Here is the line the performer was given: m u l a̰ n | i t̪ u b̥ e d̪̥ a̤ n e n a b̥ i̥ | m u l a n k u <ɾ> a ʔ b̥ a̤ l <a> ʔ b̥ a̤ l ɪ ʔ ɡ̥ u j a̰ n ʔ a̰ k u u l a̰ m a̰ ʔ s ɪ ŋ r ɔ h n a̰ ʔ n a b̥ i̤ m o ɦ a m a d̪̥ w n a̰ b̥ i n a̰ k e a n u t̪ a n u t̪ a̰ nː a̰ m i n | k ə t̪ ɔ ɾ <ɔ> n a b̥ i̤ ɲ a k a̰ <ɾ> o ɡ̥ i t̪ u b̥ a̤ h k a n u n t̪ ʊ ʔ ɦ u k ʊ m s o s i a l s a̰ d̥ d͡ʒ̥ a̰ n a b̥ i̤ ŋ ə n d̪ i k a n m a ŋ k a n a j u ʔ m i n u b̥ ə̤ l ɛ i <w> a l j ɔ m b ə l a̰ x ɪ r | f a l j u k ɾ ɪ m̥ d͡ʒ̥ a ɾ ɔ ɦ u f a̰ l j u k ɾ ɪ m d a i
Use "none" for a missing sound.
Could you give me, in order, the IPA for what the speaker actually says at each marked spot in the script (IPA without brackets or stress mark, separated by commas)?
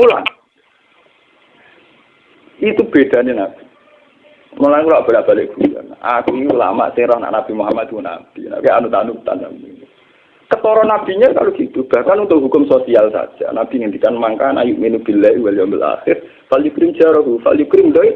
l, a, ɔ, l, w